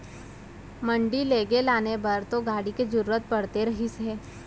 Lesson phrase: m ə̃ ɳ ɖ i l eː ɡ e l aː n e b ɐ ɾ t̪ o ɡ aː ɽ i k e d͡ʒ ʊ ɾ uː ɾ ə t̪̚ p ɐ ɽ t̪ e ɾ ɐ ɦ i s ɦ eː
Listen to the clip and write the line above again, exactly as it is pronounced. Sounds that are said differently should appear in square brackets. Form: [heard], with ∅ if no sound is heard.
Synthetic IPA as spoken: m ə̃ ɳ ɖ i l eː ɡ e l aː n e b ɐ ɾ t̪ o ɡ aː ɽ i k e d͡ʒ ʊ ɾ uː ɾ ə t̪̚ p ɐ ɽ t̪ e ɾ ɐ ɦ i s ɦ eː